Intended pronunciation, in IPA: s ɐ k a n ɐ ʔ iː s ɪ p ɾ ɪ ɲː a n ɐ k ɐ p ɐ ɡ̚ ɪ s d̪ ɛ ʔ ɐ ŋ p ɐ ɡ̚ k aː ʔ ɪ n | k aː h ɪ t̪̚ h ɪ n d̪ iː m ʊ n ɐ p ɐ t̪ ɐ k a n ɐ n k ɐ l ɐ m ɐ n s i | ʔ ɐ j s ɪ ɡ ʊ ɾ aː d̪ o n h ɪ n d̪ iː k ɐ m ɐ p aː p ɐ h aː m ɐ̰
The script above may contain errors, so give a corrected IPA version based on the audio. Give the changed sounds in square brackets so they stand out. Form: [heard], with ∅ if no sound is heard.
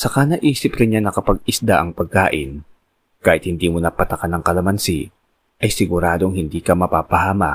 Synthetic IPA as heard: s ɐ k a n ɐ ʔ iː s ɪ p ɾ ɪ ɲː a n ɐ k ɐ p ɐ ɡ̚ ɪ s d̪ [a] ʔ ɐ ŋ p ɐ ɡ̚ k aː ʔ ɪ n | k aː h ɪ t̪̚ h ɪ n d̪ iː m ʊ n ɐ p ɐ t̪ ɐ k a n ɐ [ŋ] k ɐ l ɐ m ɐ n s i | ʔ ɐ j s ɪ ɡ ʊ ɾ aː d̪ o [ŋ] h ɪ n d̪ iː k ɐ m ɐ p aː p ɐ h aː m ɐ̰